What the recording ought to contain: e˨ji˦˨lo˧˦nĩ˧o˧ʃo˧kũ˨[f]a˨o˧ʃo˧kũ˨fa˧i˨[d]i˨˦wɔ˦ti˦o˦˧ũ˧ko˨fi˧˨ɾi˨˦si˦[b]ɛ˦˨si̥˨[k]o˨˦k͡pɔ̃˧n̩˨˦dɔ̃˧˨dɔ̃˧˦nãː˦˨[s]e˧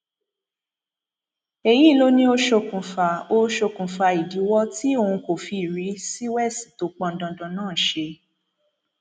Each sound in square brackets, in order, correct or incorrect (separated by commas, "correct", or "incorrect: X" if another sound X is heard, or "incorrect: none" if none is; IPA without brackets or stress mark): correct, correct, incorrect: w, incorrect: t, incorrect: ʃ